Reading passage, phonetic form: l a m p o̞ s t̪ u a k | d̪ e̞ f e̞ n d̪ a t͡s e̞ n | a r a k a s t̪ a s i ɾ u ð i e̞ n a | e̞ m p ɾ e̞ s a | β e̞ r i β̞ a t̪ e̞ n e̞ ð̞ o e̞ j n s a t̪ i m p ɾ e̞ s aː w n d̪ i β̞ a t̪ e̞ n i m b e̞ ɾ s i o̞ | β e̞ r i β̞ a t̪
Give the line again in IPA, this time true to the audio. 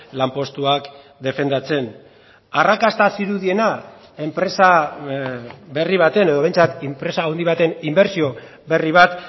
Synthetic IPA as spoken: l a m p o̞ s t̪ u a k | d̪ e̞ f e̞ n d̪ a t͡s e̞ n | a r a k a s t̪ a s i ɾ u ð i e̞ n a | e̞ m p ɾ e̞ s a | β e̞ r i β̞ a t̪ e̞ n e̞ ð̞ o e̞ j n t͡s a t̪ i m p ɾ e̞ s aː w n d̪ i β̞ a t̪ e̞ n i m b e̞ ɾ s i o̞ | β e̞ r i β̞ a t̪